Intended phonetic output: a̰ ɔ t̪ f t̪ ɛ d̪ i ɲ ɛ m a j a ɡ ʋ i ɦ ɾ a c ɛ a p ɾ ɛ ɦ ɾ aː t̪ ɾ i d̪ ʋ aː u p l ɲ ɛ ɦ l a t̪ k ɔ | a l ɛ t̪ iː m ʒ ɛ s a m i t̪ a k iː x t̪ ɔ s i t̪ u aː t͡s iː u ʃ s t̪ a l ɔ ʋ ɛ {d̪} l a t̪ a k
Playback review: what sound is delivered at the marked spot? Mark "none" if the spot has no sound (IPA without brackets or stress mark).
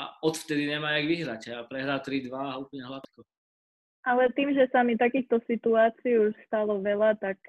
none